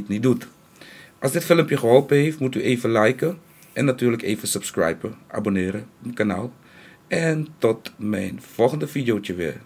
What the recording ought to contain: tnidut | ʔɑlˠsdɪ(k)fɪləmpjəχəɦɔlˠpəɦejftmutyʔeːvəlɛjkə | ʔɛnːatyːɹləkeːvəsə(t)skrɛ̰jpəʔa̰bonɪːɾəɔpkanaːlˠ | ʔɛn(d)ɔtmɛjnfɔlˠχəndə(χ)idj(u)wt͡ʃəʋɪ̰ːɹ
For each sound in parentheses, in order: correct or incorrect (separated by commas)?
incorrect, incorrect, incorrect, incorrect, incorrect